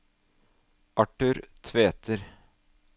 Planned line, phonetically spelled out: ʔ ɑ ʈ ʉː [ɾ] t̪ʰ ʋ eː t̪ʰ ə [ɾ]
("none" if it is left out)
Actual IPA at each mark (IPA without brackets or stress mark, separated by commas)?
ɾ, ɾ